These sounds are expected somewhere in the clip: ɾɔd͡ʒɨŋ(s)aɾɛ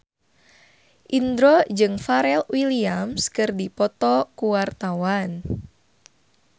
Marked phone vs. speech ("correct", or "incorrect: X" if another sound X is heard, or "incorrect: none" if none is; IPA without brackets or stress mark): incorrect: f